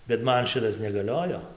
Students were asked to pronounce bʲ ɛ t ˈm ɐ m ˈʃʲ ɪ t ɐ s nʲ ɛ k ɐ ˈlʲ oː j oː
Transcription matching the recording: bʲ ɛ t ˈm ɐ n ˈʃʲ ɪ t ɐ s nʲ ɛ ɡ ɐ ˈlʲ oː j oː